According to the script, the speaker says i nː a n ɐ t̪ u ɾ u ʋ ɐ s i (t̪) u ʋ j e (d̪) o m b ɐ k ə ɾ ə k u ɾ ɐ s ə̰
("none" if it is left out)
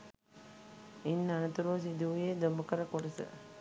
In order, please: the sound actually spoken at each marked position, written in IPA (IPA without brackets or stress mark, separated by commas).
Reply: d̪, d̪